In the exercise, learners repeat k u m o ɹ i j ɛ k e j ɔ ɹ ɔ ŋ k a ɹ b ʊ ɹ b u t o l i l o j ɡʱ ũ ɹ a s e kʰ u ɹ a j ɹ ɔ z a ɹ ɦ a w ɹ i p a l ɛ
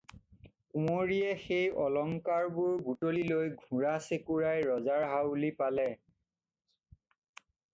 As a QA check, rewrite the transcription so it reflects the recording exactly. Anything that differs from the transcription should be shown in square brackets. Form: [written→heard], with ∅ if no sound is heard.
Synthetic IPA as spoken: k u m o ɹ i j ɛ [k→x] e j ɔ [ɹ→l] ɔ ŋ k a ɹ b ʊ ɹ b u t o l i l o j ɡʱ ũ ɹ a s e [kʰ→k] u ɹ a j ɹ ɔ z a ɹ ɦ a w [ɹ→l] i p a l ɛ